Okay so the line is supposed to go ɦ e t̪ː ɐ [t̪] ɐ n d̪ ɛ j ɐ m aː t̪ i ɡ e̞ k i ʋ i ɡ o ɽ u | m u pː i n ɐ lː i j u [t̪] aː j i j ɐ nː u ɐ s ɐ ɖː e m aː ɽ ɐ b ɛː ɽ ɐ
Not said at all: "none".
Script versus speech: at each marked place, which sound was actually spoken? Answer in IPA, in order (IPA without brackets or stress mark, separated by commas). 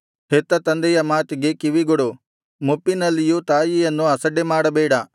t̪, t̪